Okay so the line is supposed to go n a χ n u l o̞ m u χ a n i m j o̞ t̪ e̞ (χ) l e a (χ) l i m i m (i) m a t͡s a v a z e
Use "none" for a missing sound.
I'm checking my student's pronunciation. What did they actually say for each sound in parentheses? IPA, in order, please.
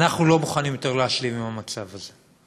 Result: ʁ, ʃ, a

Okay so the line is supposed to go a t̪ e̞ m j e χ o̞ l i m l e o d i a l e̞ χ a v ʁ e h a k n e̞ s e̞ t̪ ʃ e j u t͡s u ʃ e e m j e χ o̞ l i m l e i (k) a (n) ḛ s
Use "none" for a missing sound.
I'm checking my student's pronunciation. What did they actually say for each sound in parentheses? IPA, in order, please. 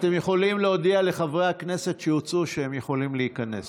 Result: k, n

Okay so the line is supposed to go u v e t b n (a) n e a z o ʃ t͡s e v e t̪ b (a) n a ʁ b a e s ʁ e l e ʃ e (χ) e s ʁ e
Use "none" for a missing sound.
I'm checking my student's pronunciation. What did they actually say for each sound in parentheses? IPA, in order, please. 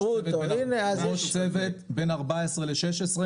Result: i, e, ʃ

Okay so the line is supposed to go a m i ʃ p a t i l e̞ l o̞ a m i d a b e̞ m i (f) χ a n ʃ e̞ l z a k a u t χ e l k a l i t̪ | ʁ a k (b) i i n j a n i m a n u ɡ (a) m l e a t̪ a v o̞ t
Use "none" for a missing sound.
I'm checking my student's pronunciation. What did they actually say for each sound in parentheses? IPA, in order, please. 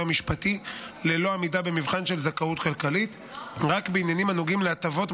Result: v, b, i

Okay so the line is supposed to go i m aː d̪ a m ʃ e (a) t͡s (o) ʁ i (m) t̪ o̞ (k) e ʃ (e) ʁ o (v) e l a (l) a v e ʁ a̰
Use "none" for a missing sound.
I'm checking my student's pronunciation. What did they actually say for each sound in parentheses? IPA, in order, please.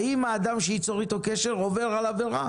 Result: i, o, none, k, e, v, l

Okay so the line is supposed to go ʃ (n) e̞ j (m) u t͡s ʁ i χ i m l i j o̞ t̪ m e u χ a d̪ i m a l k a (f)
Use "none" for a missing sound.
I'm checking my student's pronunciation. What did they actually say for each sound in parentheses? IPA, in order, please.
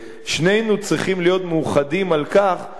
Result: n, n, χ

